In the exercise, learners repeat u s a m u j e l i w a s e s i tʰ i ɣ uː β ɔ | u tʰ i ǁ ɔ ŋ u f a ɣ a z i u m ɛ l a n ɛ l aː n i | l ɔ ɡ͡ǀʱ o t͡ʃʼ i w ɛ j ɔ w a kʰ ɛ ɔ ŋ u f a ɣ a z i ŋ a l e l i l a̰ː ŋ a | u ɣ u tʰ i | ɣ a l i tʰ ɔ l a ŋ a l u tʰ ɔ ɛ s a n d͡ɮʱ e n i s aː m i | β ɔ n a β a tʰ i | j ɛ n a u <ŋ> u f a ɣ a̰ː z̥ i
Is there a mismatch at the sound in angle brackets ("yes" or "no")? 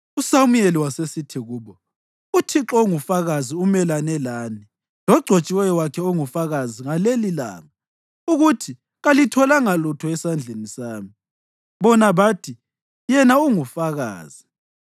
no